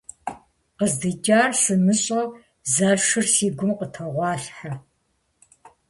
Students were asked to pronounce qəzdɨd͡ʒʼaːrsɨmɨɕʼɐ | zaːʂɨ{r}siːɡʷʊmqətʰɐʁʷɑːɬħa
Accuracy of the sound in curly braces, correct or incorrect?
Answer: correct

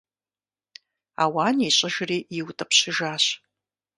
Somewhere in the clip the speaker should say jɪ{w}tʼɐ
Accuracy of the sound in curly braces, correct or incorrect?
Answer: correct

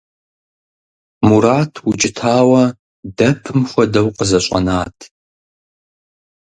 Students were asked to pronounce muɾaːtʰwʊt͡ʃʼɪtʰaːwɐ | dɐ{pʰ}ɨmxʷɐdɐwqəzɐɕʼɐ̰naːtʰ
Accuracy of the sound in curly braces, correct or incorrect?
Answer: correct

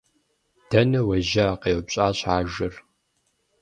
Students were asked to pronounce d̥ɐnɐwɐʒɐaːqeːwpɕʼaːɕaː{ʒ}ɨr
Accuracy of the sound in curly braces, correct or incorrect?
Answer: correct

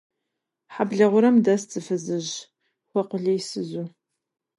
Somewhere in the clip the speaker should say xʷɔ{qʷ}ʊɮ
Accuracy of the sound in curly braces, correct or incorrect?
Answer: correct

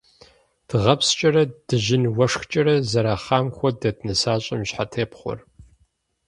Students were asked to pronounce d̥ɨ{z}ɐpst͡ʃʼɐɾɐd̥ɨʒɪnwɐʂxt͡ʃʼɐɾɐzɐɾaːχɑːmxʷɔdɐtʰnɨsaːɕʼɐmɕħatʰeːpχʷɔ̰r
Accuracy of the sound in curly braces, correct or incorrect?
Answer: incorrect: ʁ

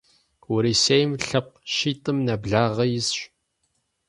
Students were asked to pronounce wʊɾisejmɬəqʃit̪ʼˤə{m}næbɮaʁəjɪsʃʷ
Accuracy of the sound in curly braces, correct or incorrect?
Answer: correct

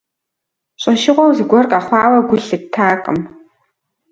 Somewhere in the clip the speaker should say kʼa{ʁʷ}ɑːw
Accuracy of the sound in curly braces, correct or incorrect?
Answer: incorrect: χʷ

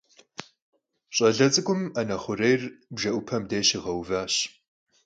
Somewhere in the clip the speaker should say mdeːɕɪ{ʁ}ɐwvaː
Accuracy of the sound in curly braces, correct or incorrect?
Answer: correct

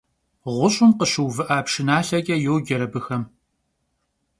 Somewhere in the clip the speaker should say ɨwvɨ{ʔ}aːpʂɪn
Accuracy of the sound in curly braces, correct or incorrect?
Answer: correct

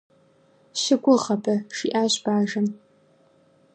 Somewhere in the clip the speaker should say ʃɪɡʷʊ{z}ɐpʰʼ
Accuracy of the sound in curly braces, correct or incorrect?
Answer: incorrect: ʁ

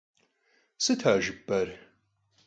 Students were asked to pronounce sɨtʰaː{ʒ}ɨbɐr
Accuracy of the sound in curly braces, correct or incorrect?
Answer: correct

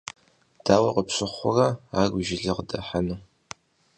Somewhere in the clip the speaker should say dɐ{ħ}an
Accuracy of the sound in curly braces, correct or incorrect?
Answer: correct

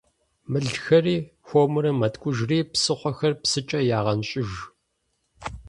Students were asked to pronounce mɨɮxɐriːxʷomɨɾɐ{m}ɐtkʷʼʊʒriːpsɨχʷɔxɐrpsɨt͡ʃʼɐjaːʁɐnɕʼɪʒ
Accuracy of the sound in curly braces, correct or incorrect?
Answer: correct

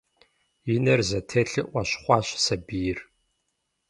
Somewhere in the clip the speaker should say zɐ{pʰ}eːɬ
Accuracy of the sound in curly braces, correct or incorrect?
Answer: incorrect: tʰ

